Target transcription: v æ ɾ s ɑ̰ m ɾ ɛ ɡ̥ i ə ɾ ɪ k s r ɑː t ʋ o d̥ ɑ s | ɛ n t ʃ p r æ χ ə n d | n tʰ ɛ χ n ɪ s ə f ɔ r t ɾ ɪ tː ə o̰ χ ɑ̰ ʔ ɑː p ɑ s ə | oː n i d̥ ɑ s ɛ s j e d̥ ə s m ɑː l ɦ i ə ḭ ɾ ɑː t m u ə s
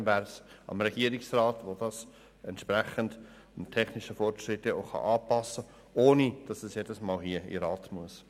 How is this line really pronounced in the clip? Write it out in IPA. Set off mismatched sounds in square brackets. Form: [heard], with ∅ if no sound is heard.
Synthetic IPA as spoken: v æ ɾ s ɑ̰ m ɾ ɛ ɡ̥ i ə ɾ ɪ k s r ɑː t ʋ o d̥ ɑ s | ɛ n t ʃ p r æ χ ə n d | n tʰ ɛ χ n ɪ [ʃ] ə f ɔ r t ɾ ɪ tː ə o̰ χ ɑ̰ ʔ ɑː p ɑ s ə | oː n i d̥ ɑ s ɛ s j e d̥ ə s m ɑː l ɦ i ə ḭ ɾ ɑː t m u ə s